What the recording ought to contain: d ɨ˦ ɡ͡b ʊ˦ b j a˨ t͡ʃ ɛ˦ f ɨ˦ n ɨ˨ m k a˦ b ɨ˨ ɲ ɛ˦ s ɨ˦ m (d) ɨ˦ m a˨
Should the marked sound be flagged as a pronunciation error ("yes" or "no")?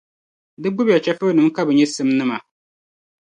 yes